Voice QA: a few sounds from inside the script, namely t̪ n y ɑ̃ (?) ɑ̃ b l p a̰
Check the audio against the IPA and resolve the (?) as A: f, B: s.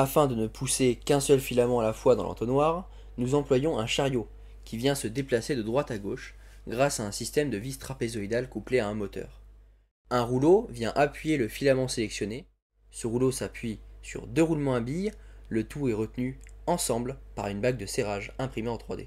B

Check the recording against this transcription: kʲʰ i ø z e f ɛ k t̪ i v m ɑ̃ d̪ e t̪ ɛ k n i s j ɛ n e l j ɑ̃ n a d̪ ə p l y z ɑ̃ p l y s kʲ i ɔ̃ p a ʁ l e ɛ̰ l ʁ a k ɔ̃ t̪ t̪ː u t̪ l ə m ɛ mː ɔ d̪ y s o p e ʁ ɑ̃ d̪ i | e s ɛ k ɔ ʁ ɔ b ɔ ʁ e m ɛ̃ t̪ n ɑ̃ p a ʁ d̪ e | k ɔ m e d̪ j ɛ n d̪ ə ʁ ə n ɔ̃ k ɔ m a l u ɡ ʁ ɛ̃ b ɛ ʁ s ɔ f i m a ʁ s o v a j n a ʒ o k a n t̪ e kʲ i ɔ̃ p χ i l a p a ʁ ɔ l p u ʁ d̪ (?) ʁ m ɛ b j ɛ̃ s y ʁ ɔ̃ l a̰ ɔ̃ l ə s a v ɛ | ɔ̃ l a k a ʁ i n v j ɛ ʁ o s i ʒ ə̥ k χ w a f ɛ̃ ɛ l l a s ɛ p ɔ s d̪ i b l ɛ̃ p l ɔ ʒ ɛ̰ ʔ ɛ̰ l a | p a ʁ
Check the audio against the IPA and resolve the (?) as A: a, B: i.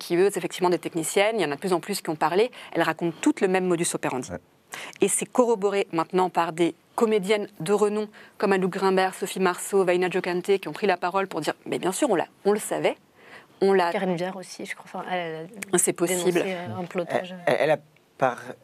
B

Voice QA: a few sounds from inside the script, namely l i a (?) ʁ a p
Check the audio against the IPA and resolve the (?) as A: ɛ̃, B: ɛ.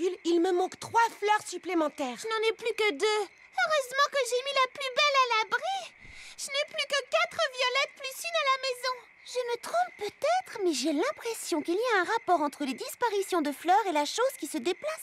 A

